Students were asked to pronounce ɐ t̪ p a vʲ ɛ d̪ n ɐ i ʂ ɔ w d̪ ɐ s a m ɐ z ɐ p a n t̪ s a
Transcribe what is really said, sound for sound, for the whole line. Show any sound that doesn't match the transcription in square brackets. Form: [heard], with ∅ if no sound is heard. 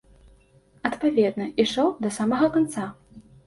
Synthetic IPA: ɐ t̪ p a vʲ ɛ d̪ n ɐ i ʂ ɔ w d̪ ɐ s a m ɐ [ɣ] ɐ [k] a n t̪ s a